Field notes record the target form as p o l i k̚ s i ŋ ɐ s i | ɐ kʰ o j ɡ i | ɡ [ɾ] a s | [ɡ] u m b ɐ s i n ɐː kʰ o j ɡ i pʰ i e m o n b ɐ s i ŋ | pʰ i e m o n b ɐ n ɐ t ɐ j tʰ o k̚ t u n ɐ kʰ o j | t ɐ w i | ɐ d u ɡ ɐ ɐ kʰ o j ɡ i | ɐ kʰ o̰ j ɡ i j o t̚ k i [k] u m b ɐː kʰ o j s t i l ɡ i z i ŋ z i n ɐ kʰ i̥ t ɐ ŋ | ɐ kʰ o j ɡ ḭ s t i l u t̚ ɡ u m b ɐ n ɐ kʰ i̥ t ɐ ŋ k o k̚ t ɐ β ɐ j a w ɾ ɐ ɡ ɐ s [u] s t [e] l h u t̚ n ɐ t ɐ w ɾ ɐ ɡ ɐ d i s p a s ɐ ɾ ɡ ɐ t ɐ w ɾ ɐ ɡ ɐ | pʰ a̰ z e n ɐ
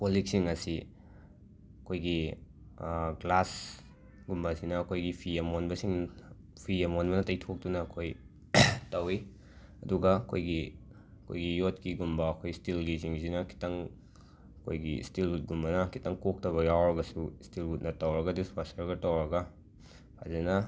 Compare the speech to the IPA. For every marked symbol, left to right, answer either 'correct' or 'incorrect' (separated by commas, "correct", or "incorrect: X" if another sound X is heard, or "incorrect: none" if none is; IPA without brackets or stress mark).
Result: incorrect: l, correct, incorrect: ɡ, correct, incorrect: i